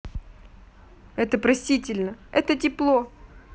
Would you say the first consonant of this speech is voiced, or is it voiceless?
voiceless